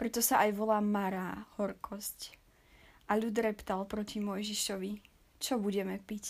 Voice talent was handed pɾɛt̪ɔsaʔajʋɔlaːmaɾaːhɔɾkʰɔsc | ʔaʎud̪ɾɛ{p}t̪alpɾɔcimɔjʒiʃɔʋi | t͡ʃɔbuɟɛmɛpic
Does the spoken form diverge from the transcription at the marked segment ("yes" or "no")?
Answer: no